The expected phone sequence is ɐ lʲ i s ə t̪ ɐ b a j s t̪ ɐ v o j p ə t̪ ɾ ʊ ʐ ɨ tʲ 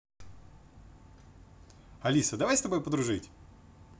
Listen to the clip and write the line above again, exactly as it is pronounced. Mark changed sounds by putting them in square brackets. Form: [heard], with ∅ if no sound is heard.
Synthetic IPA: ɐ lʲ i s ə [d̪] ɐ [v] a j s t̪ ɐ [b] o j p ə [d̪] ɾ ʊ ʐ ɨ tʲ